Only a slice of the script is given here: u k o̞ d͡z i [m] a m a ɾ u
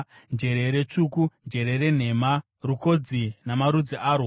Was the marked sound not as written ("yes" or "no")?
yes